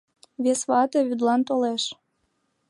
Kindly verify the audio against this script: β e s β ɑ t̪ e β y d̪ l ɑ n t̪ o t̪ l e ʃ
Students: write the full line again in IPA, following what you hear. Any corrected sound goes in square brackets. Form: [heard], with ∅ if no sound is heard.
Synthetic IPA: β e s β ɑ t̪ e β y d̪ l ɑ n t̪ o [∅] l e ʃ